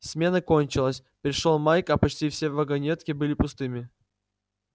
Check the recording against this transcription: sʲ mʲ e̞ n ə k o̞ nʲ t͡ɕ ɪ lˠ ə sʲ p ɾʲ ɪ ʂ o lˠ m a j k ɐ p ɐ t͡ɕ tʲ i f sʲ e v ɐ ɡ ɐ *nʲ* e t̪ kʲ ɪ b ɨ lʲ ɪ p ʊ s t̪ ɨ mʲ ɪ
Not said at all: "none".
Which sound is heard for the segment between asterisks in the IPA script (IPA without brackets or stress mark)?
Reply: nʲ